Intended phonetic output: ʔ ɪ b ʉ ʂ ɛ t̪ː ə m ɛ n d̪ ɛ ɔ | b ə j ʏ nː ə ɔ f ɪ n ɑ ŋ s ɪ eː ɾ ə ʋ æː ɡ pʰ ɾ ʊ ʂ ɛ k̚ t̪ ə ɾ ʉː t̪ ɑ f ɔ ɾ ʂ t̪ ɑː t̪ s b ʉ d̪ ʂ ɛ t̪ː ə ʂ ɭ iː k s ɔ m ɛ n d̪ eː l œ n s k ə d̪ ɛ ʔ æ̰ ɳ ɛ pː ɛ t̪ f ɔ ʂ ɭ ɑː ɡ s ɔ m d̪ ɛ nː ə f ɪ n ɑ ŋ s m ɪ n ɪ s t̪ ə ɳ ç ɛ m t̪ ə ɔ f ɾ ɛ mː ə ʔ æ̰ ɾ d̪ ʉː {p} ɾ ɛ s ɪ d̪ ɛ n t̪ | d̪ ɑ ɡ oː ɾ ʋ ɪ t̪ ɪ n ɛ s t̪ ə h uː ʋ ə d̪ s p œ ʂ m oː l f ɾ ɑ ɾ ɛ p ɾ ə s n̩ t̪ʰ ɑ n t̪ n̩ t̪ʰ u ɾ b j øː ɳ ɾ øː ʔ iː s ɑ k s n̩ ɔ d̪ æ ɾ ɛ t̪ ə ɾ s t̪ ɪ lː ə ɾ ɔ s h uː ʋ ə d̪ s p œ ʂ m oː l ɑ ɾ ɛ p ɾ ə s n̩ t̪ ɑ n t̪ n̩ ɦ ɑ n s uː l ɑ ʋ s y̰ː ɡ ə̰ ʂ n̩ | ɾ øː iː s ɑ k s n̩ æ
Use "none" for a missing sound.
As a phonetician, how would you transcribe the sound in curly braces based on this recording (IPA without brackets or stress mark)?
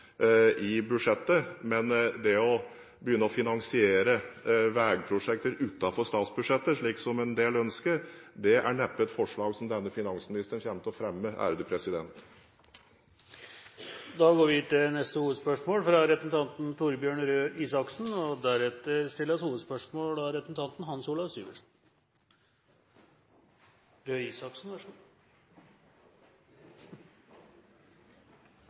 pʰ